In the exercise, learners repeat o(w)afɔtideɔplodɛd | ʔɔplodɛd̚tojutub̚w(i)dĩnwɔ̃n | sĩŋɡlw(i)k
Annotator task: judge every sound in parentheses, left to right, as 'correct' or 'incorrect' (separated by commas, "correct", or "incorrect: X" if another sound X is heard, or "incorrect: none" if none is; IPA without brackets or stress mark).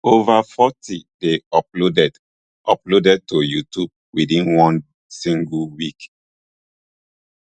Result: incorrect: v, correct, correct